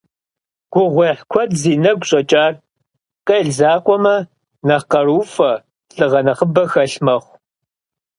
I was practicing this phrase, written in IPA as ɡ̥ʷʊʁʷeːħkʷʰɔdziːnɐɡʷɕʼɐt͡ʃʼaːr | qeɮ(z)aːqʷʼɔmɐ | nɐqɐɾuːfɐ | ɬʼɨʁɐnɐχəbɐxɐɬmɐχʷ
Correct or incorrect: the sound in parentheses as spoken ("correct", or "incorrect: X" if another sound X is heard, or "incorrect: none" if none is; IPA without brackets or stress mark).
correct